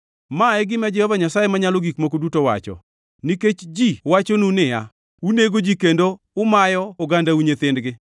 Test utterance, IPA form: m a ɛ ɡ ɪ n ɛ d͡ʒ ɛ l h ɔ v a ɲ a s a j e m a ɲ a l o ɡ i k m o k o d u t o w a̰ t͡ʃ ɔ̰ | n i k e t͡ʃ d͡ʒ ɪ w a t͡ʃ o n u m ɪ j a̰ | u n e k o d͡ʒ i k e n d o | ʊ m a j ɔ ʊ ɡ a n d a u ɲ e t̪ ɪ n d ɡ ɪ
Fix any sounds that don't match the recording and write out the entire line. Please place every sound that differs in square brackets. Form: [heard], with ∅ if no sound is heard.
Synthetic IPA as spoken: m a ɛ ɡ ɪ [m] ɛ d͡ʒ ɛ [∅] h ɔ v a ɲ a s a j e m a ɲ a l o ɡ i k m o k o d u t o w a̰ t͡ʃ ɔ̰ | n i k e t͡ʃ d͡ʒ [i] w a t͡ʃ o n u [n] ɪ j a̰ | u n e [ɡ] o d͡ʒ i k e n d o | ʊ m a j ɔ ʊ ɡ a n d a u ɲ e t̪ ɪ n d ɡ ɪ